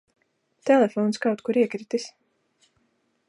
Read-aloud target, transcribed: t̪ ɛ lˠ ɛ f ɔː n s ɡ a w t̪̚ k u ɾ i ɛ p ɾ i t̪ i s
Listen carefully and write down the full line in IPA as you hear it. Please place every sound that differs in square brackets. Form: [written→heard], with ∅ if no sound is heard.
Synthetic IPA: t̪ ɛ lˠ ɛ f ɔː n s [ɡ→k] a w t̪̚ k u ɾ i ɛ [p→k] ɾ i t̪ i s